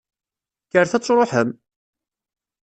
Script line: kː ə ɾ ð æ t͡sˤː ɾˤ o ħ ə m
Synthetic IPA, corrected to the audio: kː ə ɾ θ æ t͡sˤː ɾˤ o ħ ə m